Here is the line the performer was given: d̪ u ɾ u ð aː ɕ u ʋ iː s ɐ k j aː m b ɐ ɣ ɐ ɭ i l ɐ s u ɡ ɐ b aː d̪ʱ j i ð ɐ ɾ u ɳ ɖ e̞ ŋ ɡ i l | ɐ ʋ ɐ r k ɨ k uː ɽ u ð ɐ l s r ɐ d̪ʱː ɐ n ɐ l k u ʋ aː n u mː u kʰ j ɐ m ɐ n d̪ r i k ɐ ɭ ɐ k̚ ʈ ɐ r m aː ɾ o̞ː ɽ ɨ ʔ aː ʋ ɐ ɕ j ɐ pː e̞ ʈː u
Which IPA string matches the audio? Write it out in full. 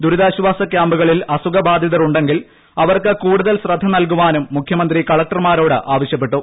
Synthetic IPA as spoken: d̪ u ɾ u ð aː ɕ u ʋ aː s ɐ k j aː m b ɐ ɣ ɐ ɭ i l ɐ s u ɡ ɐ b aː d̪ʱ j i ð ɐ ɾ u ɳ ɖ e̞ ŋ ɡ i l | ɐ ʋ ɐ r k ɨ k uː ɽ u ð ɐ l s r ɐ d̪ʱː ɐ n ɐ l k u ʋ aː n u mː u kʰ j ɐ m ɐ n d̪ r i k ɐ ɭ ɐ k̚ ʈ ɐ r m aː ɾ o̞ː ɽ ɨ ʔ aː ʋ ɐ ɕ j ɐ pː e̞ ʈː u